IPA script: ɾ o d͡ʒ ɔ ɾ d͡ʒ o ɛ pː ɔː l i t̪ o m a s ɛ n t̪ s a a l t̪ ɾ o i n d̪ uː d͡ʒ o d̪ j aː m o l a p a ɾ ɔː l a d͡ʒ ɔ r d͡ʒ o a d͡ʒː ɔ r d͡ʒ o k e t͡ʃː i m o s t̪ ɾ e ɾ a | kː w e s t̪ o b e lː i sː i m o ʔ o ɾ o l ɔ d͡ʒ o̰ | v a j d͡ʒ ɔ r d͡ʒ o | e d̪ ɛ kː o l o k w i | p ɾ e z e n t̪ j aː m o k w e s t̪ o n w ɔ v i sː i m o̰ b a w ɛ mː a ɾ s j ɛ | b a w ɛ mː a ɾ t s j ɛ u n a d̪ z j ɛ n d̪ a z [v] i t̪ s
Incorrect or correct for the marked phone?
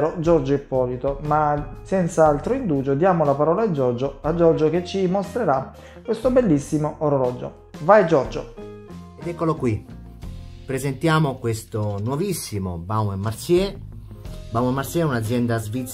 correct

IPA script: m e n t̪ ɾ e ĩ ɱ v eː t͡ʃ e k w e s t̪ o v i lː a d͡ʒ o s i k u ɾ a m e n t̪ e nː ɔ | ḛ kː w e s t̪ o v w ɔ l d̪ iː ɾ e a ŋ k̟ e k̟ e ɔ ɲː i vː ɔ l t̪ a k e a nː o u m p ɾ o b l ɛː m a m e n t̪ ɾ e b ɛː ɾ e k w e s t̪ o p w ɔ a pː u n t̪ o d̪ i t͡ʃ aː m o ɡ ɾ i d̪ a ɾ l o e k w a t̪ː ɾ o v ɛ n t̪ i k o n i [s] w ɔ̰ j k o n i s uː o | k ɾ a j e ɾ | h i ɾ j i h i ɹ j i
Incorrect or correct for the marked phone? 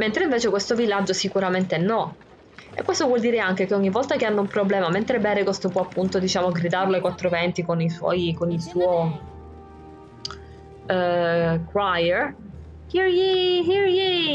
correct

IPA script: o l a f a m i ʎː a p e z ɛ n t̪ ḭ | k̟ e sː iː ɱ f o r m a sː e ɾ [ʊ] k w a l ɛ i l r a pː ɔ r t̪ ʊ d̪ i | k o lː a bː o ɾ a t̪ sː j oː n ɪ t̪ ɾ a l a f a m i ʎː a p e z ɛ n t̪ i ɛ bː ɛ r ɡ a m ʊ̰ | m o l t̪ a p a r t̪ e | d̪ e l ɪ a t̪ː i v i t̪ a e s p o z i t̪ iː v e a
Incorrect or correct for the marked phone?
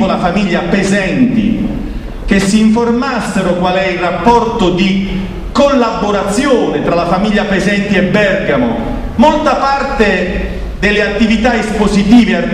correct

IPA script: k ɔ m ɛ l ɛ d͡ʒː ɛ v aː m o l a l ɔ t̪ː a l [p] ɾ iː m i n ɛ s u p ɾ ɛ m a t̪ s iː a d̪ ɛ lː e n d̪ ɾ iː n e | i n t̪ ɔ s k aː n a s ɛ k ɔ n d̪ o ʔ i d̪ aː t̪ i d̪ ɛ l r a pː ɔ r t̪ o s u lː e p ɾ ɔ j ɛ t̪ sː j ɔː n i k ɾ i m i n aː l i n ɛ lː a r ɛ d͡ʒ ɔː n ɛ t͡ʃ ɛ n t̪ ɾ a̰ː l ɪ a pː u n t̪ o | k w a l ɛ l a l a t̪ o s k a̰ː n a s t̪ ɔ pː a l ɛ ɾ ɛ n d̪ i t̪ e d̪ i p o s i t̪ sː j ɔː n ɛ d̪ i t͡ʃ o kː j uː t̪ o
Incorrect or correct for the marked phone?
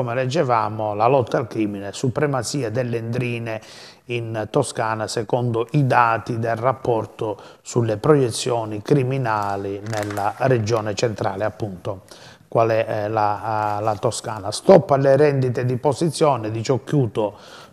incorrect: k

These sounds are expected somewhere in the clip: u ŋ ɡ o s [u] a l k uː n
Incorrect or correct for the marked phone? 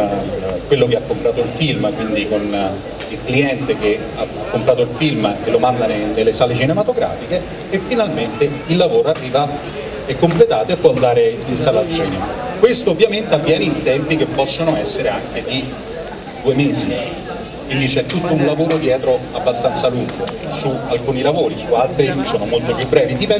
correct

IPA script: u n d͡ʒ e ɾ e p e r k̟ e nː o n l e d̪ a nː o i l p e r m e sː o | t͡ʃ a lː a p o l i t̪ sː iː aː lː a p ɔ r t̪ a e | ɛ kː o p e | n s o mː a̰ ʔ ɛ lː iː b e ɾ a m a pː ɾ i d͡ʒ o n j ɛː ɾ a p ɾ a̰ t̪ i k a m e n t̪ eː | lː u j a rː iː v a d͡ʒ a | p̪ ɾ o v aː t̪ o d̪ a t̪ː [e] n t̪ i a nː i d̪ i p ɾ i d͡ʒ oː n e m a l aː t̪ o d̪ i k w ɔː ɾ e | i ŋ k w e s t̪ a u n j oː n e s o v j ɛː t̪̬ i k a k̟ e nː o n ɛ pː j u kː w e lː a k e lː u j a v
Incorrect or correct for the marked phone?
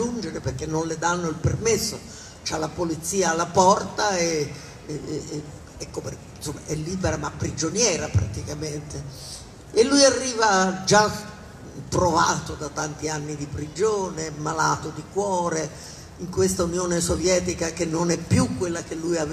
incorrect: a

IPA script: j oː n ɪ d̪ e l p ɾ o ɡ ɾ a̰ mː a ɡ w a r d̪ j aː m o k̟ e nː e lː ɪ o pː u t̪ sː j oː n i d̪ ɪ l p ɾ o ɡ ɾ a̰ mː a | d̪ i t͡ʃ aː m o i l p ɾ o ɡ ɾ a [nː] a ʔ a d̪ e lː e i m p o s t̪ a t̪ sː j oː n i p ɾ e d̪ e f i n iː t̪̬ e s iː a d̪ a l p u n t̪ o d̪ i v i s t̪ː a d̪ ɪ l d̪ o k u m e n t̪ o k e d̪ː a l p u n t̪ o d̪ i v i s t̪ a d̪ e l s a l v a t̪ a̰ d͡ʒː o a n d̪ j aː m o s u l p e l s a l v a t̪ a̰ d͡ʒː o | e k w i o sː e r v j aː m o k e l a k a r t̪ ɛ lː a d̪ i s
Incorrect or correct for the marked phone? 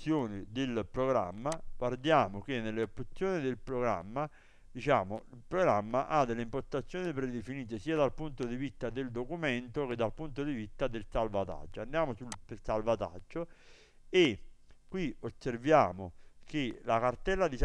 incorrect: mː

